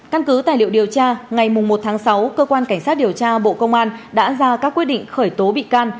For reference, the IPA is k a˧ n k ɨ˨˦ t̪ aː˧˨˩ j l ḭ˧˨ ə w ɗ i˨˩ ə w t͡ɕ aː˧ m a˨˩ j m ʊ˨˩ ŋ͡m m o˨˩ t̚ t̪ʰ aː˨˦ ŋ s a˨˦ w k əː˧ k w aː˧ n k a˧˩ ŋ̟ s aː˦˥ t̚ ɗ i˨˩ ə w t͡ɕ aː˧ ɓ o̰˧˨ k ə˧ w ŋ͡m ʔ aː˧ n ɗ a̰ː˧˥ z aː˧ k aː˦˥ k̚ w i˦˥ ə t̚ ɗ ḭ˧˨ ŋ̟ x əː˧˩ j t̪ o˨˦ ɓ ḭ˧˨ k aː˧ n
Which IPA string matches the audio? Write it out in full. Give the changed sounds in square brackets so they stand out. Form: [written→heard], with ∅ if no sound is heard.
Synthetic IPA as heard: k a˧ n k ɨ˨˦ t̪ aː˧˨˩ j l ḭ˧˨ ə w ɗ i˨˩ ə w t͡ɕ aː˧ [m→ŋ] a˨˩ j m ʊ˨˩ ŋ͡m m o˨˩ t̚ t̪ʰ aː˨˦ ŋ s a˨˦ w k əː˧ k w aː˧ n k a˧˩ ŋ̟ s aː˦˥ t̚ ɗ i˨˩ ə w t͡ɕ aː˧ ɓ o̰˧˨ k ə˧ w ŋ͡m ʔ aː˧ n ɗ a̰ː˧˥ z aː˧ k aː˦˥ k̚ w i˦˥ ə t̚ ɗ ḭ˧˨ ŋ̟ x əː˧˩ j t̪ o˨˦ ɓ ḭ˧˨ k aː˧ n